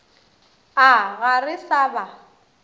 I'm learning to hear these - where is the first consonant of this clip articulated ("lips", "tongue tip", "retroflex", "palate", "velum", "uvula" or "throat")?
velum